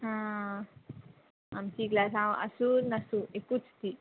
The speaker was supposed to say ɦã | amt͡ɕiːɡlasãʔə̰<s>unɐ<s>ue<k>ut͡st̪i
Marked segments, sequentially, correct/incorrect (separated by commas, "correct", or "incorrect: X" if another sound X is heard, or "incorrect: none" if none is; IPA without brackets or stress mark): correct, correct, correct